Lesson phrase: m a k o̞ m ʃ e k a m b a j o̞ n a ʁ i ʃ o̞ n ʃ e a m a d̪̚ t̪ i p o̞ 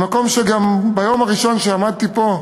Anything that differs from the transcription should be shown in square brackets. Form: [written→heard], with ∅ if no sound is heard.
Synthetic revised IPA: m a k o̞ m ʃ e [k→ɡ] a m b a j o̞ [n→m] a ʁ i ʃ o̞ n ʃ e a m a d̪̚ t̪ i p o̞